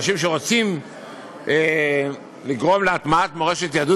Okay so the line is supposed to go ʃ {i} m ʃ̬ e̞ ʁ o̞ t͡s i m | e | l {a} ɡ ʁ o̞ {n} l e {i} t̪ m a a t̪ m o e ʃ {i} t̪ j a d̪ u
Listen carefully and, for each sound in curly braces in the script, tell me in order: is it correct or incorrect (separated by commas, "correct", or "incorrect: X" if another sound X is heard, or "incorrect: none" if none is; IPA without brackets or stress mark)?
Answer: correct, incorrect: i, incorrect: m, incorrect: a, incorrect: e